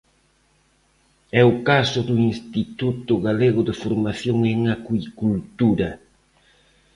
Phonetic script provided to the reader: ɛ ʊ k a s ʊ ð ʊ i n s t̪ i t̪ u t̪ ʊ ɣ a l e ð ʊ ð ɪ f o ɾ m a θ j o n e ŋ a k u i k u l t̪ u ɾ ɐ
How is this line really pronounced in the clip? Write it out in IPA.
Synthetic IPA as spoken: ɛ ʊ k a s ʊ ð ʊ i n s t̪ i t̪ u t̪ ʊ ɣ a l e ɣ ʊ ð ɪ f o ɾ m a θ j o ŋ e ŋ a k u i k u l t̪ u ɾ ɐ